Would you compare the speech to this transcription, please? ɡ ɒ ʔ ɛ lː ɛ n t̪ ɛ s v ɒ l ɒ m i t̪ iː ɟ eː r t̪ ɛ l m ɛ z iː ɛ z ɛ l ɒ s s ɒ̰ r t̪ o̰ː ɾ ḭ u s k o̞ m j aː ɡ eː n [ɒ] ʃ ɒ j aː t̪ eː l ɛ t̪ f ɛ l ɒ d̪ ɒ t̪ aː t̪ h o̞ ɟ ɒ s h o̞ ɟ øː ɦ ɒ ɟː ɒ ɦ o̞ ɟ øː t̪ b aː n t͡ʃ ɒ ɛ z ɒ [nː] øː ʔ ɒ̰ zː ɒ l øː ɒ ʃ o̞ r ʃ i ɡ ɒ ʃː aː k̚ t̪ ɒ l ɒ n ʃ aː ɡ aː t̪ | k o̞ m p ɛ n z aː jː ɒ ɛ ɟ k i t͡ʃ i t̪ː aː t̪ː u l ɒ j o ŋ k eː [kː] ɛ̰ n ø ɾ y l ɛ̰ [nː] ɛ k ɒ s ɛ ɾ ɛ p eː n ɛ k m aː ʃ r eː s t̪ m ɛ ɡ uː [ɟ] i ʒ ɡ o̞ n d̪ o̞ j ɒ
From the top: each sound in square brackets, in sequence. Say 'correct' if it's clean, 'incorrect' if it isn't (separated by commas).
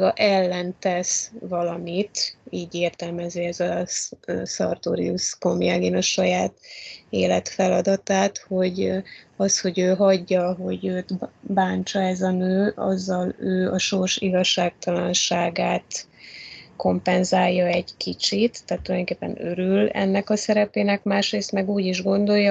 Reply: correct, incorrect, incorrect, correct, correct